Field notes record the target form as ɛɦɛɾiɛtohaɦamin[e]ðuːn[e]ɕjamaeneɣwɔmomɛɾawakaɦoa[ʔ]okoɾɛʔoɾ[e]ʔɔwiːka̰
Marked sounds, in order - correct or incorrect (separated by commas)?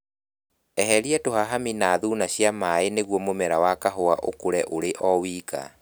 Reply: incorrect, incorrect, correct, correct